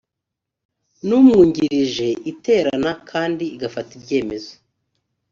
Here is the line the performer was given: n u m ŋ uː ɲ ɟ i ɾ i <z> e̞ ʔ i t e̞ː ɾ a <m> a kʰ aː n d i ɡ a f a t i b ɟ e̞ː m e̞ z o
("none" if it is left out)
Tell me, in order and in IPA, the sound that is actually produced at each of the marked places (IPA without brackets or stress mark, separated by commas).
ʒ, n